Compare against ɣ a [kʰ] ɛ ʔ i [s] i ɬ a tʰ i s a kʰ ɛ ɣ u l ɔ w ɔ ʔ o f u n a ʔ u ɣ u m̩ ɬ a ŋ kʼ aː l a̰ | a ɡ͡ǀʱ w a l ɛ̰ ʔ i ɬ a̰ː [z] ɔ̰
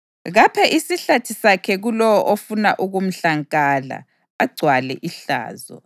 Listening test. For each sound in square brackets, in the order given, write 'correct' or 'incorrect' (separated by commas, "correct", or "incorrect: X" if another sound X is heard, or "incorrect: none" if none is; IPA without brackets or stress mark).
incorrect: pʰ, correct, correct